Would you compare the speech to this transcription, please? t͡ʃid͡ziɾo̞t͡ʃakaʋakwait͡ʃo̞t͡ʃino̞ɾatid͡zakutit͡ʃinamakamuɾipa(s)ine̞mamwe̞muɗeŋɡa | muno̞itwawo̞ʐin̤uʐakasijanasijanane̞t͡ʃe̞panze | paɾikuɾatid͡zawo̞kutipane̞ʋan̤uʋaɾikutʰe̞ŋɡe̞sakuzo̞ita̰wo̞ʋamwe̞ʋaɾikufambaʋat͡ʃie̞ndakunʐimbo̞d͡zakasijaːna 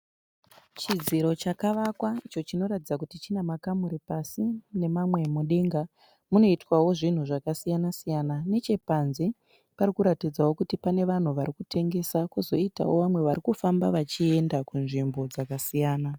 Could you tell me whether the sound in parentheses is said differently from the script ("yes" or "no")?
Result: no